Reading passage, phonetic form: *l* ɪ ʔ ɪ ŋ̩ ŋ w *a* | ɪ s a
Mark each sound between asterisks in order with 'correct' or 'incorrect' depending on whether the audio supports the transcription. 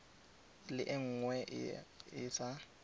correct, incorrect: ɛ

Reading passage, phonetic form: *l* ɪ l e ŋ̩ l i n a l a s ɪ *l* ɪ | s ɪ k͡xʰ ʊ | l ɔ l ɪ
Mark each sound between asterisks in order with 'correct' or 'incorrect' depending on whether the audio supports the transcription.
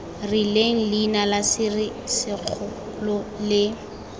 incorrect: r, incorrect: r

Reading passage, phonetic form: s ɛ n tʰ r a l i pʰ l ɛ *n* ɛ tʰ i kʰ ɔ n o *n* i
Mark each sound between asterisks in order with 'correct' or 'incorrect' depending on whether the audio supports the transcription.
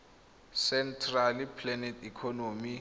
correct, incorrect: m

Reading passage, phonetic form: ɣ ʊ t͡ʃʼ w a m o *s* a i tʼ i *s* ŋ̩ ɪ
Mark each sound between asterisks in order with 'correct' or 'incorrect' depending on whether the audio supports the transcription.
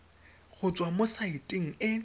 correct, incorrect: none

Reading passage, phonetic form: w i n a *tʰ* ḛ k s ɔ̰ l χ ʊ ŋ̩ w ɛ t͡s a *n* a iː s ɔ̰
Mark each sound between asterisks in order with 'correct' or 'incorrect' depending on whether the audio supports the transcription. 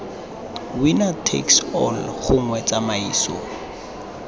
correct, incorrect: m

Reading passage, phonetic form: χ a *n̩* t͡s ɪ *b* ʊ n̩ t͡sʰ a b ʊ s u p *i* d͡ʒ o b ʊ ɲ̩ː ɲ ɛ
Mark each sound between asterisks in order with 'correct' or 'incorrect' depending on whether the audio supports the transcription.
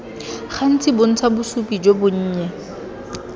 correct, correct, correct

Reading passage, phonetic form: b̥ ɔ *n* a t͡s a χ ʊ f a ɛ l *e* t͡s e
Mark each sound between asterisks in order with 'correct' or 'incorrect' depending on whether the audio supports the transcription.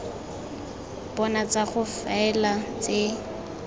correct, incorrect: a

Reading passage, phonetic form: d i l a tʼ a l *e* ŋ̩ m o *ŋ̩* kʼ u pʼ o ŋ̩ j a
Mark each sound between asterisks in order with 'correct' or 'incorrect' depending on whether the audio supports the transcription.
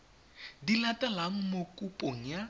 incorrect: a, incorrect: none

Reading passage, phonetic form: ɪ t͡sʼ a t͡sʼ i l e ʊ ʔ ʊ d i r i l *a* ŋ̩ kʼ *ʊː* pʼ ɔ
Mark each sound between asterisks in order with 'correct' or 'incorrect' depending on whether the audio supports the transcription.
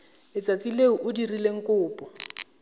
incorrect: e, correct

